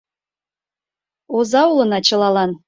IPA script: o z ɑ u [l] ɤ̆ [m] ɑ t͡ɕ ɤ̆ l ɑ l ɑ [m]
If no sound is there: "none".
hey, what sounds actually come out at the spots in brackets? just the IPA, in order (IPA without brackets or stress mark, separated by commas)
l, n, n